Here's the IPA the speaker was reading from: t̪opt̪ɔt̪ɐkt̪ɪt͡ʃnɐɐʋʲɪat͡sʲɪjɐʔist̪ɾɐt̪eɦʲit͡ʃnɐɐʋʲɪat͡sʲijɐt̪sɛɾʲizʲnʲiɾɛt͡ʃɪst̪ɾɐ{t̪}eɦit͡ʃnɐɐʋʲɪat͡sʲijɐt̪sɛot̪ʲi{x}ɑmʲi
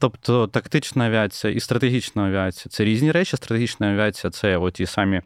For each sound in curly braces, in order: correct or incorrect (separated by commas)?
correct, incorrect